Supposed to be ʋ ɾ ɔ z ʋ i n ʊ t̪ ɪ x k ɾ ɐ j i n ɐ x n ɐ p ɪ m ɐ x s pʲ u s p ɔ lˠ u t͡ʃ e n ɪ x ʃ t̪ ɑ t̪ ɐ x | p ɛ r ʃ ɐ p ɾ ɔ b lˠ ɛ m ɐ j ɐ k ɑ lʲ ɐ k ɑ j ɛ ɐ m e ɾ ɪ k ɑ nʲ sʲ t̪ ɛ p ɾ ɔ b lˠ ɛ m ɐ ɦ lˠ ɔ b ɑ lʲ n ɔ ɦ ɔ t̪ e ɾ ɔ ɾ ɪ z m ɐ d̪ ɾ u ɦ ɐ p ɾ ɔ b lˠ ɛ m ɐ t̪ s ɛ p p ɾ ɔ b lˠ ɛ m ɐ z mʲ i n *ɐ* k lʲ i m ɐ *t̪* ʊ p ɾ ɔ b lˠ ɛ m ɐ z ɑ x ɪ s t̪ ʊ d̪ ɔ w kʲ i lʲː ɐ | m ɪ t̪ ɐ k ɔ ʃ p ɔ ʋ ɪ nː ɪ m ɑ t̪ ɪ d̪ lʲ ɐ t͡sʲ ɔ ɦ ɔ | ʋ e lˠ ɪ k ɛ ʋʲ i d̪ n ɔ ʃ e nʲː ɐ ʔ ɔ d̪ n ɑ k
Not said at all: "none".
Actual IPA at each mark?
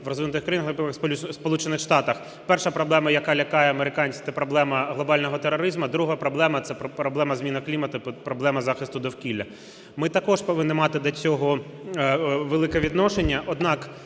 ɐ, t̪

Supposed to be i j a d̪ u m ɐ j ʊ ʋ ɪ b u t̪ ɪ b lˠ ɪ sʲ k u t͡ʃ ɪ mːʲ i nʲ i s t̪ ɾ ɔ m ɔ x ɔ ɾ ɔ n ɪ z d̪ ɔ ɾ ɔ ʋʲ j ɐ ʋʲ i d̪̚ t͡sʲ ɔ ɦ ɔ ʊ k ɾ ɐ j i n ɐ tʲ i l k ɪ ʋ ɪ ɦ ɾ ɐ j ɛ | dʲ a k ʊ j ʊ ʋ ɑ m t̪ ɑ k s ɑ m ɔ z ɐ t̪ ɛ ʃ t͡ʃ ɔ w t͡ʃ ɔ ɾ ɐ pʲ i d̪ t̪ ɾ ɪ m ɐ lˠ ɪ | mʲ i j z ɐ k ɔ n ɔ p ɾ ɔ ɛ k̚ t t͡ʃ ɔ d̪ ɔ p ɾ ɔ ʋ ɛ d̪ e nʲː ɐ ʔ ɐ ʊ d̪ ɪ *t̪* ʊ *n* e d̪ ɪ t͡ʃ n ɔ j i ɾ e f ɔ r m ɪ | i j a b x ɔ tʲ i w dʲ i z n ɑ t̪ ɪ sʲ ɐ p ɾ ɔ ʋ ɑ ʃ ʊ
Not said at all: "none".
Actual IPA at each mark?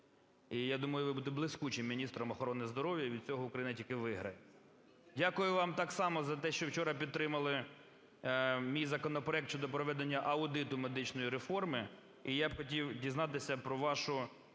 t̪, m

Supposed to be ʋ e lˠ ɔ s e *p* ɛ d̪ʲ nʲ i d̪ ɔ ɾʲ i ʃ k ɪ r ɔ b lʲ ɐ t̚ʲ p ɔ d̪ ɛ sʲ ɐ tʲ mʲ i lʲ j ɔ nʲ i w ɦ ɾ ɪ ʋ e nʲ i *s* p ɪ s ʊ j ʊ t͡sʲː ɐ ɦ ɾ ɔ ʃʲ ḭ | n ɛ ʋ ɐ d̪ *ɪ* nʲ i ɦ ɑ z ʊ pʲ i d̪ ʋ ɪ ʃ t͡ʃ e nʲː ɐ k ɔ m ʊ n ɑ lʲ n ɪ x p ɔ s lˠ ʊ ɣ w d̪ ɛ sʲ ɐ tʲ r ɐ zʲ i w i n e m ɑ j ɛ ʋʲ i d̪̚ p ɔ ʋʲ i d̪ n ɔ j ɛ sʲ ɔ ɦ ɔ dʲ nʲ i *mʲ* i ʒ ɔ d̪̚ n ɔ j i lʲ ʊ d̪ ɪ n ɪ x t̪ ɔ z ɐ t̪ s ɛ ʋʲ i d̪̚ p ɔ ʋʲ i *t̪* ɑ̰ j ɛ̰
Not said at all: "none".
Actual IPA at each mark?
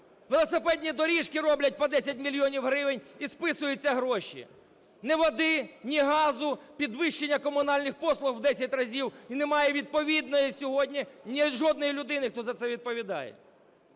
p, s, ɪ, nʲ, d̪

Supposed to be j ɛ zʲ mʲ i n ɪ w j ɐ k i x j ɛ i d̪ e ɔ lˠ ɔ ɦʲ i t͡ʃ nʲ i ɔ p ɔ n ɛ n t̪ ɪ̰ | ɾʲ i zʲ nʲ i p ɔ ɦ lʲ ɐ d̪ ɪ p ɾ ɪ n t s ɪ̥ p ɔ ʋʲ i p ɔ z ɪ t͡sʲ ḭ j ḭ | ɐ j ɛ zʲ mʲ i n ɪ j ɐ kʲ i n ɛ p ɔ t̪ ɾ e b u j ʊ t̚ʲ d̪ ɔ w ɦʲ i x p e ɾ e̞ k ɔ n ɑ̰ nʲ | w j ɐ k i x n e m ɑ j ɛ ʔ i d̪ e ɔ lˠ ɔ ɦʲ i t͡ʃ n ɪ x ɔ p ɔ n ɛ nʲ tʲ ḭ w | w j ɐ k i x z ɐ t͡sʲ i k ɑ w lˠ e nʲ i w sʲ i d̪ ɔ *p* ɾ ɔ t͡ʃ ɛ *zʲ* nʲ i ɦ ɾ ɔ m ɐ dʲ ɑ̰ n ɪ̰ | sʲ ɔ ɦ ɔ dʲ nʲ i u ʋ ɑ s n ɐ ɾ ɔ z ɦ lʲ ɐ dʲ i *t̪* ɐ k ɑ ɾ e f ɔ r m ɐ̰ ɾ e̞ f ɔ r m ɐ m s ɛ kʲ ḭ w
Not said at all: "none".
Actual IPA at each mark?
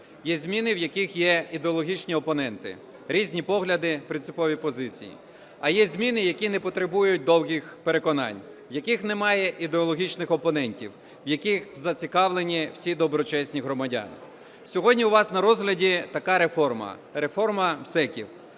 b, sʲ, t̪

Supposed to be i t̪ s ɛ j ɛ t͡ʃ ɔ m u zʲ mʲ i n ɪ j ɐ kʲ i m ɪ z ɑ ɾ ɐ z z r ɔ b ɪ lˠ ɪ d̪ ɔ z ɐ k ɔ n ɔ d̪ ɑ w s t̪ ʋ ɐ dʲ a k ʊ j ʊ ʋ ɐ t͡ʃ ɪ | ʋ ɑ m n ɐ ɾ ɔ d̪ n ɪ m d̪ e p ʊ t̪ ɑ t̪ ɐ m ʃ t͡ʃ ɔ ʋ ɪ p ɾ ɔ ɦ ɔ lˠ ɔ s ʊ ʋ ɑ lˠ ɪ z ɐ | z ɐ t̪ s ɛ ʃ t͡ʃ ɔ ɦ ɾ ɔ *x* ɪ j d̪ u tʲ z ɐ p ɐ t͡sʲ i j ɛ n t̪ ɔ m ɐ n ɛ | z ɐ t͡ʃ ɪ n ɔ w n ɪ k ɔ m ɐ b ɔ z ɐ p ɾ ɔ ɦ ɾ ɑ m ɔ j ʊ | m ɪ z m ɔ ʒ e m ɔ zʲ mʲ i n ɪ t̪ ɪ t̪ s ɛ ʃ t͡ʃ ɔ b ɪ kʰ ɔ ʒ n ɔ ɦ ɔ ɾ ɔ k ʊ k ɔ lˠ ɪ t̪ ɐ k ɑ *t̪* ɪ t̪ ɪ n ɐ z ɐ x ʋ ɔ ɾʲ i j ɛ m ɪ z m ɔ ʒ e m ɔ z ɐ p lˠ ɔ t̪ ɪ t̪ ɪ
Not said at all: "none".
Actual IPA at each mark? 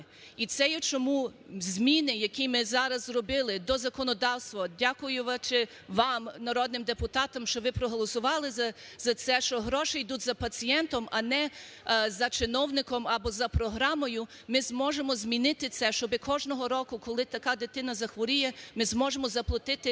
ʃ, d̪

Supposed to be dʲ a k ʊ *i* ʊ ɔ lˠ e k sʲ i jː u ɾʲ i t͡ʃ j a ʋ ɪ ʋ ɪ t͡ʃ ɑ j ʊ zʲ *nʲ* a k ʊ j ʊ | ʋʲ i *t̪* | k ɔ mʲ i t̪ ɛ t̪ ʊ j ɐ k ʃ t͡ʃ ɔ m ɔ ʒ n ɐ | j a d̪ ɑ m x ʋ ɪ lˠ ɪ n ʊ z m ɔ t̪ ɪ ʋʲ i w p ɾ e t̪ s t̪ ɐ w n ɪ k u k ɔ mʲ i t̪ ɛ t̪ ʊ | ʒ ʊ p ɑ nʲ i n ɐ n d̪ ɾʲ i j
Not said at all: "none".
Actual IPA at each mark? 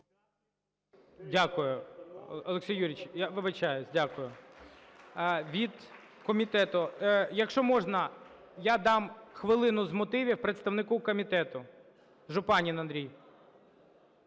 j, dʲ, d̪

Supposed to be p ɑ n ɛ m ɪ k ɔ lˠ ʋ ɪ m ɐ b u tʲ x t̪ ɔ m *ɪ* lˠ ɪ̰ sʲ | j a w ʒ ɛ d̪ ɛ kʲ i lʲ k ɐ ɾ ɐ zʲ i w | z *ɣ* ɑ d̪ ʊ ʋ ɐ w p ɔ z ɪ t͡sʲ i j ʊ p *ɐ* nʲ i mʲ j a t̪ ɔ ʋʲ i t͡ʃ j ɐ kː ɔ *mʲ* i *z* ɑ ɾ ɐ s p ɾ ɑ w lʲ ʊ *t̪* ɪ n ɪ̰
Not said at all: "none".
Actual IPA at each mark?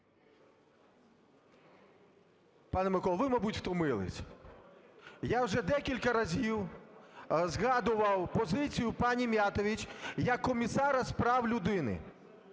ɪ, ɣ, ɑ, mʲ, s, d̪

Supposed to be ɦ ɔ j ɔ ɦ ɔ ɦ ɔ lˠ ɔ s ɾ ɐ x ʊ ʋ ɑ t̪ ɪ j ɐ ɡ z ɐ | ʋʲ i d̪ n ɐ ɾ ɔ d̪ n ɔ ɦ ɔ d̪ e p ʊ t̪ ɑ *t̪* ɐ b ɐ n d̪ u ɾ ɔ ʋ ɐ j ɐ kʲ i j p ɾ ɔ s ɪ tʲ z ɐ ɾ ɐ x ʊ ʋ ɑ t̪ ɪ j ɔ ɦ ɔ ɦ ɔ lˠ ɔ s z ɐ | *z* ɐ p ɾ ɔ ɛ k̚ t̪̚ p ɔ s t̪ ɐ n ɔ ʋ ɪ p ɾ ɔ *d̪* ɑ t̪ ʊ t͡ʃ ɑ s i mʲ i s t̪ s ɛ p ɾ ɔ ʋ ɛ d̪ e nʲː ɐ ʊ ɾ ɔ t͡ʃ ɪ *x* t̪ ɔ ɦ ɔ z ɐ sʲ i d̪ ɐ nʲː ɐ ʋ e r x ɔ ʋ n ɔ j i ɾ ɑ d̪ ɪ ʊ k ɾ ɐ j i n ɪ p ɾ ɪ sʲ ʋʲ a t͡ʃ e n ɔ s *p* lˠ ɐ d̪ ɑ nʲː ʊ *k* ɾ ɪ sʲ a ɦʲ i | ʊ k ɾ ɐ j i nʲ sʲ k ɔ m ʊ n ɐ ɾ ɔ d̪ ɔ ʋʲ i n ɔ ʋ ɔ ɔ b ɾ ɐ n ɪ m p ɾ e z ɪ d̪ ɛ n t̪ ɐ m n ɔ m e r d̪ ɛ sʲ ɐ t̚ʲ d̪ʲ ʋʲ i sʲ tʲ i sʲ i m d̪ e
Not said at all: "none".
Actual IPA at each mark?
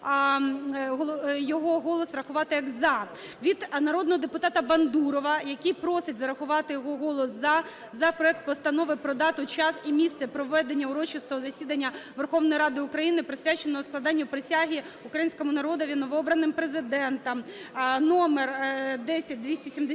t̪, z, d̪, s, k, p

